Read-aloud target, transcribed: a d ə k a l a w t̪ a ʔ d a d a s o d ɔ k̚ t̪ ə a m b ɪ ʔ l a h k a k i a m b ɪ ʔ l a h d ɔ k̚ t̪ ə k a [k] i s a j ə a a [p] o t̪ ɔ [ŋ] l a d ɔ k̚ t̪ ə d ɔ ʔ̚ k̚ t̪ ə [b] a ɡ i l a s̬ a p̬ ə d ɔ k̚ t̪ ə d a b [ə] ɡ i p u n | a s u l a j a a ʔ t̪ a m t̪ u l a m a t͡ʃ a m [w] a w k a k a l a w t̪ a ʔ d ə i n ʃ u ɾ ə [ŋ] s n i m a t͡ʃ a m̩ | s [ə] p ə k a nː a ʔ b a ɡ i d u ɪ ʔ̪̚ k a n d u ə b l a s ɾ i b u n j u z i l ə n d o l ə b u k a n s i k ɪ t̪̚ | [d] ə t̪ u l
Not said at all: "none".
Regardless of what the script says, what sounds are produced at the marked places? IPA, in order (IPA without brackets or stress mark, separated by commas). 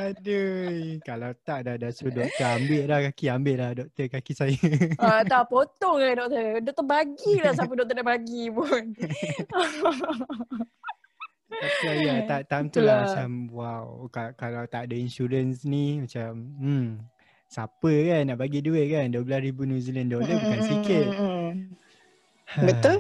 k, p, ŋ, b, a, w, n, a, b